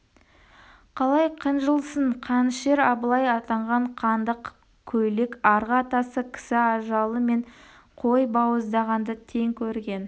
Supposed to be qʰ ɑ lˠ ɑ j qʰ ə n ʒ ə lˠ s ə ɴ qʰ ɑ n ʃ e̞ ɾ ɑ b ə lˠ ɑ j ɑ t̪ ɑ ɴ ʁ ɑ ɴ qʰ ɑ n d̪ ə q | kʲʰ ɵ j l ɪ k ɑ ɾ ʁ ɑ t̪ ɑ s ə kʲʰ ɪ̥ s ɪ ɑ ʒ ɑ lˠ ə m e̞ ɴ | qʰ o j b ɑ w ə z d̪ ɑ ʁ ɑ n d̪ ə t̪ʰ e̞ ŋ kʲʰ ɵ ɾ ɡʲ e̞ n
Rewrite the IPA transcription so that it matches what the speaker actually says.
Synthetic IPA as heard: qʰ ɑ lˠ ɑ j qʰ ə n ʒ ə lˠ s ə ɴ qʰ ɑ n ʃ e̞ ɾ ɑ b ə lˠ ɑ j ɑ t̪ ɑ ɴ ʁ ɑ ɴ qʰ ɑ n d̪ ə q | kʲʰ ɵ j l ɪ k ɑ ɾ ʁ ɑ t̪ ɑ s ə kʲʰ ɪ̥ s ɪ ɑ ʒ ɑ lˠ ə m e̞ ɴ | qʰ o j b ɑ w ə z d̪ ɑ ʁ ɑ n d̪ ə t̪ʰ e̞ ŋ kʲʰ ɵ ɾ ɡʲ e̞ n